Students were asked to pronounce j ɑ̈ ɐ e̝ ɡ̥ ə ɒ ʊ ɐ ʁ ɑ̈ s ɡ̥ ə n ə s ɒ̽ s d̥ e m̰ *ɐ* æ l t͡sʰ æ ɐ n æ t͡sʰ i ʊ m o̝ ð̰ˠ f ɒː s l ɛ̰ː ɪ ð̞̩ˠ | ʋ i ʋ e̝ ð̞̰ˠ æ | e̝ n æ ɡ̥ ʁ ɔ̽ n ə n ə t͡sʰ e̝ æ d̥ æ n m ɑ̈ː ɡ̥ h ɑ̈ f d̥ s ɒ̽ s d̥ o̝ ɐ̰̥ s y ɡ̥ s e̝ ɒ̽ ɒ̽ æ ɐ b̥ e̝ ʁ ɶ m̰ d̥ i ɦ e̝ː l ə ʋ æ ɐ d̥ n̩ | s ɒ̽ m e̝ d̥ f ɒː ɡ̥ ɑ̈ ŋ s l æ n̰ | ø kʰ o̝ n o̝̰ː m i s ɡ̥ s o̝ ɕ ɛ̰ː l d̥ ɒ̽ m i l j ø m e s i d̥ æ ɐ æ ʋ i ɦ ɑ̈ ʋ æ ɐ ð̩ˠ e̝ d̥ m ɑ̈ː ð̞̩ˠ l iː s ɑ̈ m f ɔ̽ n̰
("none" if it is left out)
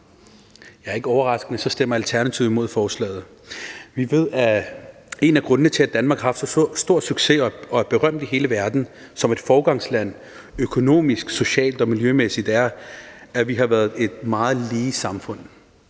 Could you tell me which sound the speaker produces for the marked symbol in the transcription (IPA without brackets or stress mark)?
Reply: ɐ